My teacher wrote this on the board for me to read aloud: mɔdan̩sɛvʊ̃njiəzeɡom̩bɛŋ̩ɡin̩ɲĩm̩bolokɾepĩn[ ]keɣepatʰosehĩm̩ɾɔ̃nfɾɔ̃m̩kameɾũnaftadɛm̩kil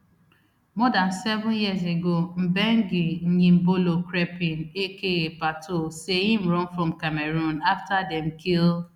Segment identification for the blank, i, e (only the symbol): e